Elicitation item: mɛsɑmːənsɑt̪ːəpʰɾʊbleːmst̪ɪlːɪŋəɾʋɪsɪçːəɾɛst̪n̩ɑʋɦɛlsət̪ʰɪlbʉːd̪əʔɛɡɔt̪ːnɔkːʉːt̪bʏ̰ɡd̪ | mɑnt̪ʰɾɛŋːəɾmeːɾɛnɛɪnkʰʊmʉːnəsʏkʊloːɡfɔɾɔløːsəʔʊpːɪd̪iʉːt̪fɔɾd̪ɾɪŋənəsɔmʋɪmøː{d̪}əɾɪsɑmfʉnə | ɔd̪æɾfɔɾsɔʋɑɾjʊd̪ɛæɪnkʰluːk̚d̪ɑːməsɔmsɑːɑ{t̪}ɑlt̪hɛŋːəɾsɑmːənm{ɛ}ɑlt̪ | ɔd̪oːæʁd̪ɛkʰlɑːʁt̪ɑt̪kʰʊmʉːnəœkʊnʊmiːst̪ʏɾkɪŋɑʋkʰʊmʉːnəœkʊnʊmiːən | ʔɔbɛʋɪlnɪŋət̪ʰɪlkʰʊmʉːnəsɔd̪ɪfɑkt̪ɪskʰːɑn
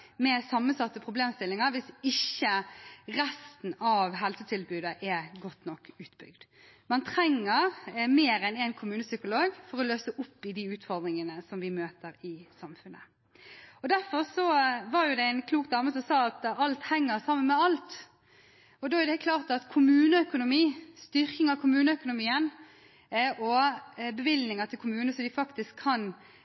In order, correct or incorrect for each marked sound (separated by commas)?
incorrect, correct, correct